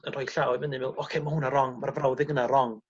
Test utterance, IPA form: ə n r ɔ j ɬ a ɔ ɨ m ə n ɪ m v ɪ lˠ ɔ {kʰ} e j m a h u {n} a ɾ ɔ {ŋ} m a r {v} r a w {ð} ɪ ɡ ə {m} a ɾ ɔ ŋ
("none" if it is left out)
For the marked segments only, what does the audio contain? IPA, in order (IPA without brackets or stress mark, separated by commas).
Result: kʰ, n, ŋ, v, ð, n